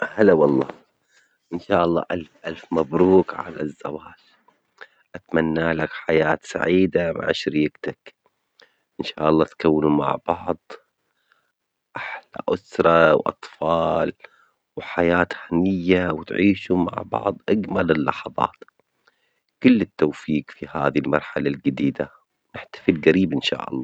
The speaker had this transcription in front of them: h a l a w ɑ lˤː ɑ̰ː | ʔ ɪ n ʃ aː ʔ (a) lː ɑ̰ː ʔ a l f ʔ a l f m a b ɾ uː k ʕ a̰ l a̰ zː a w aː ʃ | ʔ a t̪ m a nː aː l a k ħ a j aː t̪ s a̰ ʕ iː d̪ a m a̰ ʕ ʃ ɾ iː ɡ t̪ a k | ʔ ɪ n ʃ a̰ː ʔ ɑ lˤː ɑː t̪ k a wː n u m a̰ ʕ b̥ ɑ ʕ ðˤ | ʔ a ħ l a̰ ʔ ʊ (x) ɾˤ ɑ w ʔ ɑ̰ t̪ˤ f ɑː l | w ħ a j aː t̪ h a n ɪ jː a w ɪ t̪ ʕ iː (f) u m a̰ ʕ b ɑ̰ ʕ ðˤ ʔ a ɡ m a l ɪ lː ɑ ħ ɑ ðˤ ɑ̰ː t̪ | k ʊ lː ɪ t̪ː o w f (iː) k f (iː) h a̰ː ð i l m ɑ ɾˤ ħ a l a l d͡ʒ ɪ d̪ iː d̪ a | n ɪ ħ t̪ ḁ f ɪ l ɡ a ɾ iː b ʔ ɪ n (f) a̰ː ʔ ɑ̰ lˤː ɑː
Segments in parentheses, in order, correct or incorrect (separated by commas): incorrect, incorrect, incorrect, correct, incorrect, incorrect